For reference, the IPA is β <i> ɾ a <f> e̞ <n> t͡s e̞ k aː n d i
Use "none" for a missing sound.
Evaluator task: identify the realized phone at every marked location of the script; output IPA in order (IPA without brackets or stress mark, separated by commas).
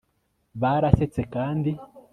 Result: a, s, none